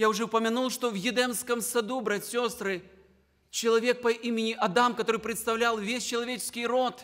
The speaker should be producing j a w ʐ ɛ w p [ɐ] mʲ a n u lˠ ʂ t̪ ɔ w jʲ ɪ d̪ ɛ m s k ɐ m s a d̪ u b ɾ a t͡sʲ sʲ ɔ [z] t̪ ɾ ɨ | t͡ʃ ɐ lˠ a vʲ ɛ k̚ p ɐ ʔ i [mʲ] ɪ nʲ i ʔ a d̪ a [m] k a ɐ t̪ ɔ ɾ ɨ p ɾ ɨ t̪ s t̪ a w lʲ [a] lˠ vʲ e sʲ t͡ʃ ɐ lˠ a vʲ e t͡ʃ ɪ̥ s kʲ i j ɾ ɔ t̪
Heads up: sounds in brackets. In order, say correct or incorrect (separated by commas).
correct, incorrect, correct, correct, correct